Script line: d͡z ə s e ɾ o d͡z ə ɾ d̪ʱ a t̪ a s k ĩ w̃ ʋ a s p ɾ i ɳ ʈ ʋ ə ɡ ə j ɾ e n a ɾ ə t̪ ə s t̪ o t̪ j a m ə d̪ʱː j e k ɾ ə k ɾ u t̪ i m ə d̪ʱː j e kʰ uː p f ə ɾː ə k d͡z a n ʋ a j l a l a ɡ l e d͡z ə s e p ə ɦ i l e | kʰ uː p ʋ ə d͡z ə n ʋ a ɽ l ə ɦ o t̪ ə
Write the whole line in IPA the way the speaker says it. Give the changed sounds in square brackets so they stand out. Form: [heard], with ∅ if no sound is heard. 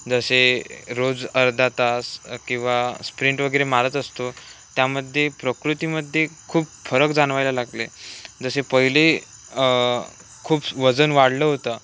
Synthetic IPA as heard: d͡z ə s e ɾ o d͡z ə ɾ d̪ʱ a t̪ a s k ĩ w̃ ʋ a s p ɾ i ɳ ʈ ʋ ə ɡ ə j ɾ e [m] a ɾ ə t̪ ə s t̪ o t̪ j a m ə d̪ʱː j e [p] ɾ ə k ɾ u t̪ i m ə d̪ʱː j e kʰ uː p f ə [ɾ] ə k d͡z a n ʋ a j l a l a ɡ l e d͡z ə s e p ə ɦ i l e | kʰ uː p ʋ ə d͡z ə n ʋ a ɽ l ə ɦ o t̪ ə